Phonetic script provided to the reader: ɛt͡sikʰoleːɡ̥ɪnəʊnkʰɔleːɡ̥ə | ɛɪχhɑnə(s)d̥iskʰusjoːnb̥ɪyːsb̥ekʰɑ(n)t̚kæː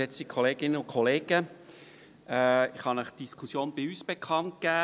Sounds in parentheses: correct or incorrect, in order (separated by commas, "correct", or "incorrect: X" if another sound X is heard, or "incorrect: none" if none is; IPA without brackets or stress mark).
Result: incorrect: χ, correct